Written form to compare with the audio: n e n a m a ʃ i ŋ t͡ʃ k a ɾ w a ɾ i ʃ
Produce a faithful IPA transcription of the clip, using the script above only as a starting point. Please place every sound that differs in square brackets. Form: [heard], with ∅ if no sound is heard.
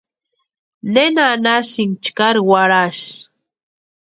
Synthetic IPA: n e n a [n] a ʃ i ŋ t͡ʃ k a ɾ w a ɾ [a] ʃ